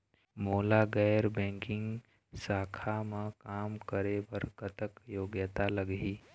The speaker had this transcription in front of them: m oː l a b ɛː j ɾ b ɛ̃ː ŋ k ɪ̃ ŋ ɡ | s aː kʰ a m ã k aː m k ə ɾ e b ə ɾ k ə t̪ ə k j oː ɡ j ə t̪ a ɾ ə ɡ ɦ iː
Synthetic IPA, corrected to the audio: m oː l a ɡ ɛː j ɾ b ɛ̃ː ŋ k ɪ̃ ŋ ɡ | s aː kʰ a m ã k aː m k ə ɾ e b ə ɾ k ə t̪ ə k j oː ɡ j ə t̪ a l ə ɡ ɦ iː